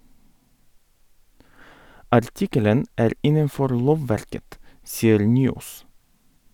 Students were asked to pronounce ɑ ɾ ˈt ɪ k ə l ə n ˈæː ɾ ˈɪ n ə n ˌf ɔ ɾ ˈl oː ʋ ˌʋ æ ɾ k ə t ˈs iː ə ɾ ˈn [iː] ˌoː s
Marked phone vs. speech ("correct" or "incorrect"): incorrect